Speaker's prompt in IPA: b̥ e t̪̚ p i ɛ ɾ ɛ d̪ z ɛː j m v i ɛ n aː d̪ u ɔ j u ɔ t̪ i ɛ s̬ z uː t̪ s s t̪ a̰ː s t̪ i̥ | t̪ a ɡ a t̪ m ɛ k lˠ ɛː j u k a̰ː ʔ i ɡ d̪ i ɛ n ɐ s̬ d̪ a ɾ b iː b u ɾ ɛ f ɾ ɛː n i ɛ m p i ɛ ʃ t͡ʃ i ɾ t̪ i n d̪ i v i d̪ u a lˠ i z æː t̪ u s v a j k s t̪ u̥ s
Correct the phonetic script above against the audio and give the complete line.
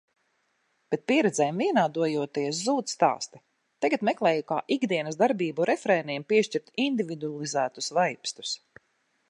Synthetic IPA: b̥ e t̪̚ p i ɛ ɾ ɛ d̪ z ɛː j m v i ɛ n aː d̪ u ɔ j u ɔ t̪ i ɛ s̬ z uː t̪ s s t̪ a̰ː s t̪ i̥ | t̪ a ɡ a t̪ m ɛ k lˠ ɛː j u k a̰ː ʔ i ɡ d̪ i ɛ n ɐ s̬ d̪ a ɾ b iː b u ɾ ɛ f ɾ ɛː n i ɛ m p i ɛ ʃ t͡ʃ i ɾ t̪ i n d̪ i v i d̪ u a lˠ i z æː t̪ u s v a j p s t̪ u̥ s